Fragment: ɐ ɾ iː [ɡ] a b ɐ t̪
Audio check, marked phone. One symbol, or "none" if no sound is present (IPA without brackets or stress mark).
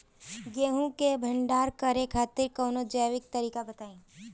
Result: k